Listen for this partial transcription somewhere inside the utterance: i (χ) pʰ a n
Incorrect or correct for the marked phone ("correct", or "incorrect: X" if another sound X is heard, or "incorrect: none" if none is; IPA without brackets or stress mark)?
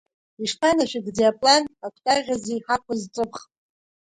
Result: incorrect: ʂ